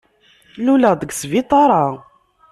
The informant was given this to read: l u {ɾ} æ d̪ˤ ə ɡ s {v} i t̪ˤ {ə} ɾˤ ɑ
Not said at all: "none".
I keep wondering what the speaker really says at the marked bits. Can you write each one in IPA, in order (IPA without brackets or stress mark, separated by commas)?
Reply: l, v, ɑ